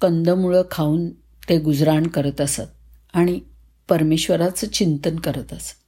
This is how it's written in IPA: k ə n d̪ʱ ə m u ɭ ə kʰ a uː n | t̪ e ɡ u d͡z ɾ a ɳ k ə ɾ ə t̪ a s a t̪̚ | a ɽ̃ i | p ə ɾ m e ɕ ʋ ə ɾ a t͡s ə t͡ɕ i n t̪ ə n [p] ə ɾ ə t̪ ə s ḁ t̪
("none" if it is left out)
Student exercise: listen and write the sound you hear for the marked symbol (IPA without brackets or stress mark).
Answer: k